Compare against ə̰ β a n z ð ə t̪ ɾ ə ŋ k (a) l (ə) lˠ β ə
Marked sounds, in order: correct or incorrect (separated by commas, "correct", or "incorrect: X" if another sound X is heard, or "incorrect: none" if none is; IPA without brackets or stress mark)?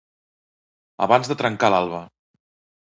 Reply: correct, incorrect: a